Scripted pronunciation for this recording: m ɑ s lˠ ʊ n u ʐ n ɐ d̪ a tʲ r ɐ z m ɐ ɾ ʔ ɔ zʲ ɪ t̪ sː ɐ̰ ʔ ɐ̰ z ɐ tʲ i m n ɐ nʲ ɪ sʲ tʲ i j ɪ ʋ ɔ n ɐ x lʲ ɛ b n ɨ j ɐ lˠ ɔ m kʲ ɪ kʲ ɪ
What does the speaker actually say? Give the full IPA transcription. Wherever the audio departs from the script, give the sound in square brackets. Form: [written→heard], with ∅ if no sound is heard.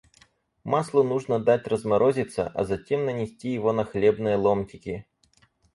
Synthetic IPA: m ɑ s lˠ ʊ n u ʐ n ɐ d̪ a tʲ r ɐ z m ɐ ɾ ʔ ɔ zʲ ɪ t̪ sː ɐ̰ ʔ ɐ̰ z ɐ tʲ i m n ɐ nʲ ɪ sʲ tʲ i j ɪ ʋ ɔ n ɐ x lʲ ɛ b n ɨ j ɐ lˠ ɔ m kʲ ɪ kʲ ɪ